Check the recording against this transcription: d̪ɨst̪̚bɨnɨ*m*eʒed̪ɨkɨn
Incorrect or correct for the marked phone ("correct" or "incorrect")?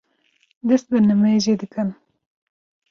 correct